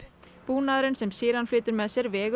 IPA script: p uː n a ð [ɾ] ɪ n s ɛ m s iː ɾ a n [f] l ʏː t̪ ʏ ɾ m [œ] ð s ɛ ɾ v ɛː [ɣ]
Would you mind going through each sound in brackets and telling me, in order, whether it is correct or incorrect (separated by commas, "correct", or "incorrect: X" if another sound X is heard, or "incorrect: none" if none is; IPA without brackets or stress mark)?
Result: correct, correct, incorrect: ɛ, correct